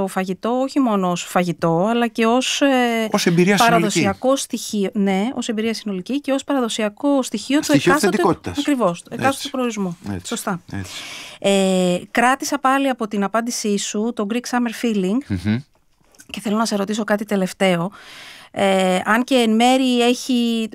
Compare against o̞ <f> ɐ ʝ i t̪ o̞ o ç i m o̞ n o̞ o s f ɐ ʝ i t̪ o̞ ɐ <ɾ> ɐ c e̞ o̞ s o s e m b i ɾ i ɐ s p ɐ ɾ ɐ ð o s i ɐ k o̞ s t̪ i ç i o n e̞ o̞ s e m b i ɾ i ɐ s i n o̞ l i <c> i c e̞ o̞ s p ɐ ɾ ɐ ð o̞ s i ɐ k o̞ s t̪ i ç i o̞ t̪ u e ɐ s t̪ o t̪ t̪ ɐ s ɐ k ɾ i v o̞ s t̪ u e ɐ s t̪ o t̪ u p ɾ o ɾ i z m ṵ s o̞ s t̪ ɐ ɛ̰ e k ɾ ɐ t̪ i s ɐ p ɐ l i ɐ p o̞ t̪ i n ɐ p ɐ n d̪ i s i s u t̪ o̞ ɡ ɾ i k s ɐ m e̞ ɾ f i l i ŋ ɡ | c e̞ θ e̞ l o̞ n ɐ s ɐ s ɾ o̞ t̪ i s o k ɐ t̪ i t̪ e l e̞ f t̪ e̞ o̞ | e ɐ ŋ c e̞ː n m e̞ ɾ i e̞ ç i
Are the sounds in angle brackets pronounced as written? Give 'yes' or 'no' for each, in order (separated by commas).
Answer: yes, no, yes